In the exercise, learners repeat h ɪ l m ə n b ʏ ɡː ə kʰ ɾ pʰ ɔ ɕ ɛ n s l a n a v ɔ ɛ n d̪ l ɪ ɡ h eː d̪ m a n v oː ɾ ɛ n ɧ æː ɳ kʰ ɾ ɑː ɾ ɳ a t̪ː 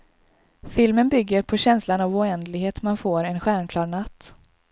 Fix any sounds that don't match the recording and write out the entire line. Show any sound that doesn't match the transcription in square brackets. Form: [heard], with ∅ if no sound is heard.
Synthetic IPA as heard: [f] ɪ l m ə n b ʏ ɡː ə [∅] ɾ pʰ ɔ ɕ ɛ n s l a n a v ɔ ɛ n d̪ l ɪ ɡ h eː [t̪] m a n [f] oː ɾ ɛ n ɧ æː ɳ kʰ [l] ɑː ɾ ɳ a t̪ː